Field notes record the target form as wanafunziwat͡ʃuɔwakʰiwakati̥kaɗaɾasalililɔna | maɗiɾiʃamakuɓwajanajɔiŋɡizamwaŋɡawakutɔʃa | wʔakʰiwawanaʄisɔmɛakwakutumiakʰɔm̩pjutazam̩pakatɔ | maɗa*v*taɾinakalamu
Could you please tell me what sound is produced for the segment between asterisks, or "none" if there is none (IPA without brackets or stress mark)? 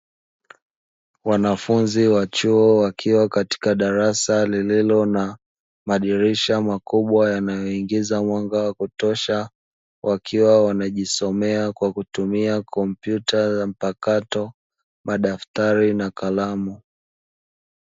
f